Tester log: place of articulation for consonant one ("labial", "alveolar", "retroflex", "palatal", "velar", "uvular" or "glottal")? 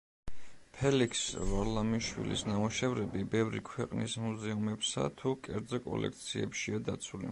labial